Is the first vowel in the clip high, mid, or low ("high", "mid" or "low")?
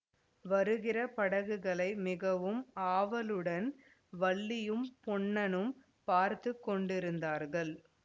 low